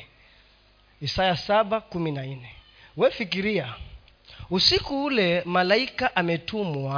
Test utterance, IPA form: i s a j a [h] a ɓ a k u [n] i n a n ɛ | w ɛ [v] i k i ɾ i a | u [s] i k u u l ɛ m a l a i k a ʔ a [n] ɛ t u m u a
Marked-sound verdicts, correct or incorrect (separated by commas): incorrect, incorrect, incorrect, correct, incorrect